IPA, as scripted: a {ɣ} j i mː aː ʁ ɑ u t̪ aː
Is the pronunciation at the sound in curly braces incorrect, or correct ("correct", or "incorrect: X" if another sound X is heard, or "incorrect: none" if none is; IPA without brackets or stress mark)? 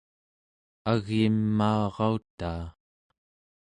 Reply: correct